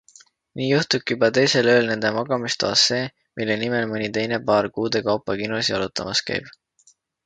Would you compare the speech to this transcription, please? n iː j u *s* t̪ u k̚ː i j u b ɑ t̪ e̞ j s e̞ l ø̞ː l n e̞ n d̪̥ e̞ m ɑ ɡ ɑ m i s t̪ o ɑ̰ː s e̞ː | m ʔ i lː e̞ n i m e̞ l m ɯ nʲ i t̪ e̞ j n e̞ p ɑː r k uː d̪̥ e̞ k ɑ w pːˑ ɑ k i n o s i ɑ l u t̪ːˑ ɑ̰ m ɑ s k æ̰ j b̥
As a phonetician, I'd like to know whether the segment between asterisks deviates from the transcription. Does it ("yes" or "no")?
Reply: yes